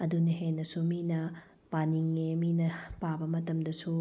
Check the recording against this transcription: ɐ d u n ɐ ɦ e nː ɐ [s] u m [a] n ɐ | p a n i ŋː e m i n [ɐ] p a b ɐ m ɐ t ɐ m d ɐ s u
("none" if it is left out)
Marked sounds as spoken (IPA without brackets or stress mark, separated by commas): s, i, ɐ